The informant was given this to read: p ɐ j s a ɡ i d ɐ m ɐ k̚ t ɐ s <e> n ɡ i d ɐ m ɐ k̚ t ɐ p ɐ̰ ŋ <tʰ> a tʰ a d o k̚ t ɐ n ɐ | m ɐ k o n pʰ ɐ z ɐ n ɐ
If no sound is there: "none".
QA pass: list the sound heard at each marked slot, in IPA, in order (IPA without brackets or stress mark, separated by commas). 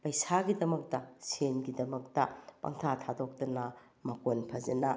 e, tʰ